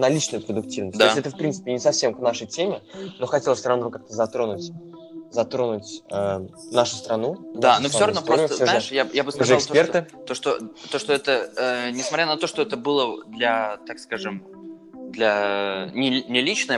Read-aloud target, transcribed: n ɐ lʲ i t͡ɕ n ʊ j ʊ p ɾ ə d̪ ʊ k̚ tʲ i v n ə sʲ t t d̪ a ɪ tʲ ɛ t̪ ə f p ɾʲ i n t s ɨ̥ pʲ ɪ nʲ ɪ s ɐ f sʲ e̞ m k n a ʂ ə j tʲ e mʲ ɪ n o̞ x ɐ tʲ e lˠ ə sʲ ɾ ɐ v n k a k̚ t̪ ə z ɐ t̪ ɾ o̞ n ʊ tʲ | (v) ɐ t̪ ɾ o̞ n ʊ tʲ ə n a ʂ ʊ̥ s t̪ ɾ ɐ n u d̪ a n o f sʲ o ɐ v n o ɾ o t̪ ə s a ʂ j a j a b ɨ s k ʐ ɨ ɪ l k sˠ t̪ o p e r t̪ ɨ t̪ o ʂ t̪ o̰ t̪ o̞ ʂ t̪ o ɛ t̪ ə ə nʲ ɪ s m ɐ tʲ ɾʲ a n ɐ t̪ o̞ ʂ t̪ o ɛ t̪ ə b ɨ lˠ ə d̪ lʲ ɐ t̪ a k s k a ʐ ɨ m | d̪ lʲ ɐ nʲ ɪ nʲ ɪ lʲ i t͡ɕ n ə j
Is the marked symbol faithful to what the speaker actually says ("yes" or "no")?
no